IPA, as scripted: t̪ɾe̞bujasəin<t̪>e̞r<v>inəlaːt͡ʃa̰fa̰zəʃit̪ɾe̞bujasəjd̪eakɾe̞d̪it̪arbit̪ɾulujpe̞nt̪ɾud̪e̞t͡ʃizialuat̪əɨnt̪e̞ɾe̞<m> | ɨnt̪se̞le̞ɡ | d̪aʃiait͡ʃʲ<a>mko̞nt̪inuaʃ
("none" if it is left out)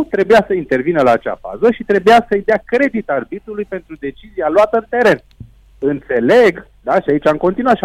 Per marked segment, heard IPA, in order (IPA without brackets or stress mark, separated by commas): t̪, v, n, a